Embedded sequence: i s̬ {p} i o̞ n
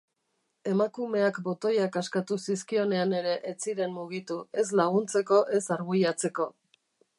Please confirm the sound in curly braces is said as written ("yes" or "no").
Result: no